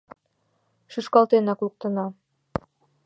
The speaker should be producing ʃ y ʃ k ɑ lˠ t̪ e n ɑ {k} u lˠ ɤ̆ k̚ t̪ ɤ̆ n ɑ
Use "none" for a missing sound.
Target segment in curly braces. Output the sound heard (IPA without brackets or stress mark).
k